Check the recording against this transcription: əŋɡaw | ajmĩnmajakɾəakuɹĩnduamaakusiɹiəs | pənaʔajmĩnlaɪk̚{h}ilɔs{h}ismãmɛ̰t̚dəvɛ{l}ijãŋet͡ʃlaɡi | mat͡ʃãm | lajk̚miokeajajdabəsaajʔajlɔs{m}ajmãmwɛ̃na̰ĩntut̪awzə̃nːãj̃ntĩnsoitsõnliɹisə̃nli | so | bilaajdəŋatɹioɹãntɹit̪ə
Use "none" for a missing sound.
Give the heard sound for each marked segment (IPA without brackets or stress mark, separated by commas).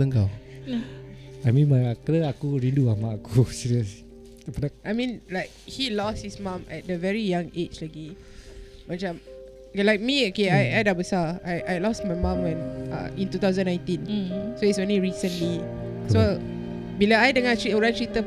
h, h, ɹ, m